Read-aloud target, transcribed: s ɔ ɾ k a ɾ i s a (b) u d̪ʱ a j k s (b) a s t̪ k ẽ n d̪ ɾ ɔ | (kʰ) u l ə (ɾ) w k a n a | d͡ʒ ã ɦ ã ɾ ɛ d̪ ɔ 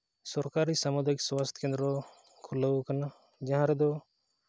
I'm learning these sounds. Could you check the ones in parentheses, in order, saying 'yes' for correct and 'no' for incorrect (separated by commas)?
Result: no, no, yes, no